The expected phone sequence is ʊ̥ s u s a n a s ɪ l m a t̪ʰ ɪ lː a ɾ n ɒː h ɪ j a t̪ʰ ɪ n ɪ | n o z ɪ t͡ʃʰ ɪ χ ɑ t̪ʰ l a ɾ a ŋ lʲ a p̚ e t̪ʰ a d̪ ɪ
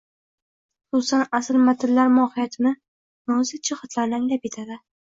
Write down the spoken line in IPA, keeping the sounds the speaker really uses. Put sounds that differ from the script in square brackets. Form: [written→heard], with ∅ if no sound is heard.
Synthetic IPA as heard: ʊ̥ s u s a n a s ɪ l m a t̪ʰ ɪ lː a ɾ [n→m] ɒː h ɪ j a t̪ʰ ɪ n ɪ | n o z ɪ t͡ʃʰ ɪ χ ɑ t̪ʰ l a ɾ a ŋ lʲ a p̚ e t̪ʰ a d̪ ɪ